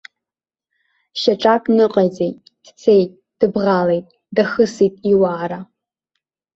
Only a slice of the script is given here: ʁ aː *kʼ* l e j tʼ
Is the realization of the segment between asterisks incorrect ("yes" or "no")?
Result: yes